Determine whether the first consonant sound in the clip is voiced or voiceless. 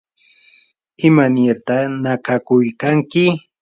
voiced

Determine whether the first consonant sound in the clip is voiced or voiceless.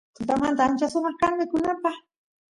voiceless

